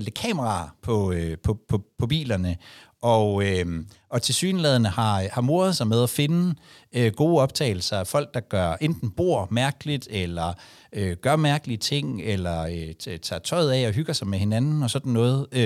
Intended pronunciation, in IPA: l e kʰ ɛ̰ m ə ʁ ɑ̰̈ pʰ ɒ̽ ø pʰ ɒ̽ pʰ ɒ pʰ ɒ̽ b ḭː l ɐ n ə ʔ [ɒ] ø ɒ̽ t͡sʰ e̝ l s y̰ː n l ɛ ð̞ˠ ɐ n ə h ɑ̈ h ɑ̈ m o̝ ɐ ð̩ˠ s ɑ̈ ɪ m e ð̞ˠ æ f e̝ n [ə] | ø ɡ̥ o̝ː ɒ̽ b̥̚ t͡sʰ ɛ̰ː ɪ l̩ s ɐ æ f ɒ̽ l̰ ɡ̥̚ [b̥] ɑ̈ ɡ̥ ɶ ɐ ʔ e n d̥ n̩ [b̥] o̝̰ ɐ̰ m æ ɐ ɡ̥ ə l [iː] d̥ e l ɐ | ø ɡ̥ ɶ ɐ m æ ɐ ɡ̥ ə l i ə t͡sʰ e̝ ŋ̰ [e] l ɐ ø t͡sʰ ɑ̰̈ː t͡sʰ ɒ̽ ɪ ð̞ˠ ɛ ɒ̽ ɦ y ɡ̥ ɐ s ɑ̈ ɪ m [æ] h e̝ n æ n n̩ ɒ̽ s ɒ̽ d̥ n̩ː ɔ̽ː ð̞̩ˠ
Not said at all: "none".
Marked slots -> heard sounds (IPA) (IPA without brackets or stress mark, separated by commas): ɒ, ə, d̥, b̥, i, e, e